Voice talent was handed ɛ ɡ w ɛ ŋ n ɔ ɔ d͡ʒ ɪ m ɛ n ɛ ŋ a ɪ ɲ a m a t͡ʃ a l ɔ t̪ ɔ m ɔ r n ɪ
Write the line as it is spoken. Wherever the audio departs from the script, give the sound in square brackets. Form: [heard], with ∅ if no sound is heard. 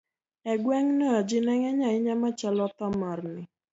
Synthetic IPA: ɛ ɡ w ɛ ŋ n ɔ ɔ d͡ʒ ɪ [n] ɛ [ŋ] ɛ [ɲ] a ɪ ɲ a m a t͡ʃ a l ɔ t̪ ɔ m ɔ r n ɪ